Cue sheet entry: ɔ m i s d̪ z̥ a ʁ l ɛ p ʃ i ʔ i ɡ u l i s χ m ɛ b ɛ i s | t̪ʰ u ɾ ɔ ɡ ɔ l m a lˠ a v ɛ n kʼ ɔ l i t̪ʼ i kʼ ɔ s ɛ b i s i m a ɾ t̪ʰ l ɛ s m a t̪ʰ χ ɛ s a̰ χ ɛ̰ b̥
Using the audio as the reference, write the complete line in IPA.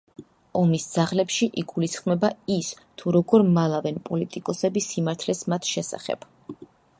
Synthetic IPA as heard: ɔ m i s d̪ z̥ a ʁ l ɛ p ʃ i ʔ i ɡ u l i s χ m ɛ b a i s | t̪ʰ u ɾ ɔ ɡ ɔ ɾ m a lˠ a v ɛ n pʼ ɔ l i t̪ʼ i kʼ ɔ s ɛ b i s i m a ɾ t̪ʰ l ɛ s m a t̪ʰ ʃ ɛ s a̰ χ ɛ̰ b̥